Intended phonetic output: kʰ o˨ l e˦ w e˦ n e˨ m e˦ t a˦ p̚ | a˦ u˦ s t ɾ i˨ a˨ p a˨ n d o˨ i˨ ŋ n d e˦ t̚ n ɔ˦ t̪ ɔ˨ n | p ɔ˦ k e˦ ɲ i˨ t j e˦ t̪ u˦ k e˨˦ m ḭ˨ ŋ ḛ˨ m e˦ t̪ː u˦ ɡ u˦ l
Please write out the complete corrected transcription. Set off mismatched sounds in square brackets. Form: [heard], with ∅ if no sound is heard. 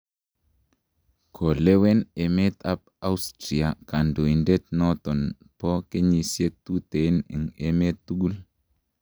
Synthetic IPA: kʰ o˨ l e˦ w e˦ n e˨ m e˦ t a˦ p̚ | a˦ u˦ s t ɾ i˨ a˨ [k] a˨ n d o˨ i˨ [∅] n d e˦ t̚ n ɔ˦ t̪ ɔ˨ n | p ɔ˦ k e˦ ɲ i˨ [s] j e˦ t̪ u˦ [t] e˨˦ [n] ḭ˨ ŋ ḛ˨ m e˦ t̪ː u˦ ɡ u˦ l